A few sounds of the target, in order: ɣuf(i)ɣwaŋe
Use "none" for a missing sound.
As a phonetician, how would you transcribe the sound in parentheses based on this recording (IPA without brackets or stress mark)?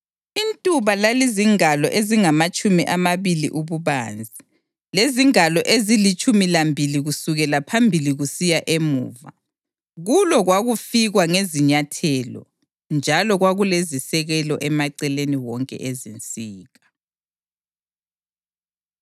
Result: i